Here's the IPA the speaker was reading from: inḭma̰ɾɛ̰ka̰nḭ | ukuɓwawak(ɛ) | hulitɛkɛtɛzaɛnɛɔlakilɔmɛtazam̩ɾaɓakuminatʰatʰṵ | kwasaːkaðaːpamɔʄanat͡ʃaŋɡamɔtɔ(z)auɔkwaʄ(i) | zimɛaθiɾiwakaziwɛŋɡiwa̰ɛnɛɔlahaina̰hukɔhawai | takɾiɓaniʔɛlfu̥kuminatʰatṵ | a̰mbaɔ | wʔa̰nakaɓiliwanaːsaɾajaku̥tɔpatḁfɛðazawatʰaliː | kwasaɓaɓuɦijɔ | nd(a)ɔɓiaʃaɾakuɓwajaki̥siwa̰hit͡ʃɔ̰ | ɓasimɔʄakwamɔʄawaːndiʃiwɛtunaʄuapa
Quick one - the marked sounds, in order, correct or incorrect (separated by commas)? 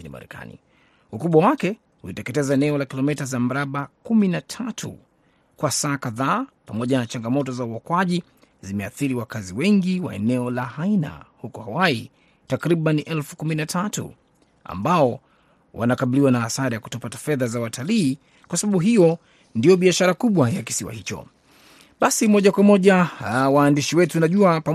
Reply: correct, correct, correct, incorrect